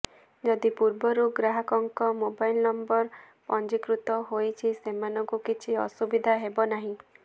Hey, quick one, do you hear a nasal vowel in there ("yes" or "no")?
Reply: yes